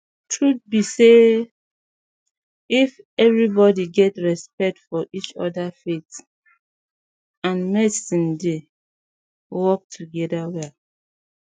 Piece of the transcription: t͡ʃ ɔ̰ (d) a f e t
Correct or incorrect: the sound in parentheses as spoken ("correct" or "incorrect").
correct